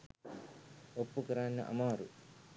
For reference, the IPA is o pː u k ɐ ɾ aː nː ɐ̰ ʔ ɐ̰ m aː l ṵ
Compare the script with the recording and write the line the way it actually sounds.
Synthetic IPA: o pː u k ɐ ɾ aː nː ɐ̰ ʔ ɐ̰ m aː ɾ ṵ